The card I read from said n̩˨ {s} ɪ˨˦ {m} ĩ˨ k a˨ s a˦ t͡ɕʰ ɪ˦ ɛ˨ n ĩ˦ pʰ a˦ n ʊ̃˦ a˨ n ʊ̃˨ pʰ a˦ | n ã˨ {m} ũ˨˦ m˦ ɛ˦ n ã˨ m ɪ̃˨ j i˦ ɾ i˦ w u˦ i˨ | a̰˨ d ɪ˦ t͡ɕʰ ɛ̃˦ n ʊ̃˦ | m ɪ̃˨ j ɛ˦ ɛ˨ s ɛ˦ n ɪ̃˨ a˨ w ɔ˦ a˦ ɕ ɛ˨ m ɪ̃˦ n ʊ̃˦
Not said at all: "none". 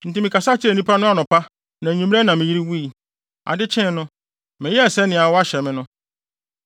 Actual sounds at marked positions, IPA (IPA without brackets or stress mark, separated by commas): t, m, ɲ